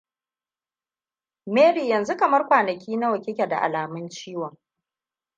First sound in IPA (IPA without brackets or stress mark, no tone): m